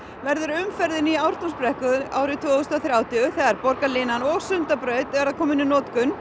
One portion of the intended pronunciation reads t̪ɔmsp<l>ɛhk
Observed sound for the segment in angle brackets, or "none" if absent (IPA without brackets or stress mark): ɾ